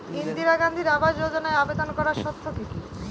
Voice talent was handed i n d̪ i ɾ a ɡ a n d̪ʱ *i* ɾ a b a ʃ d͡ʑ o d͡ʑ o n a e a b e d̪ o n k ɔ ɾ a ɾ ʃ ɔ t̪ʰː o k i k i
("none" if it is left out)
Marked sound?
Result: i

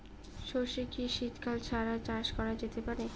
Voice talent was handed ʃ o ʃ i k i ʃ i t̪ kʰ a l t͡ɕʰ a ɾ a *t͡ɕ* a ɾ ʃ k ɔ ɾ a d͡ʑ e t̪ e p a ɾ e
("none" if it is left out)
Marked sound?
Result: t͡ɕ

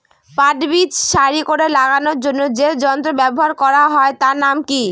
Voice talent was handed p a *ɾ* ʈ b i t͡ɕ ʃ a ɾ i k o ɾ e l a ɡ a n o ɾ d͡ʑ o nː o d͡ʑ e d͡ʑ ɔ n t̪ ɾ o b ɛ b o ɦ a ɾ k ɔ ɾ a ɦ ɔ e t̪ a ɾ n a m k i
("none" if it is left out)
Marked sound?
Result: none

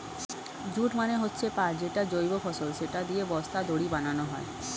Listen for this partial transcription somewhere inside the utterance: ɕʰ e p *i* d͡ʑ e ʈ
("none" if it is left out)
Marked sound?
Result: a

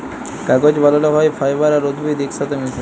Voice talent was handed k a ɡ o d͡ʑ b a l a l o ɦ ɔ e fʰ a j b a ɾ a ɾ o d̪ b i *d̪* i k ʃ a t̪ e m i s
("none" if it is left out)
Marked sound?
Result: d̪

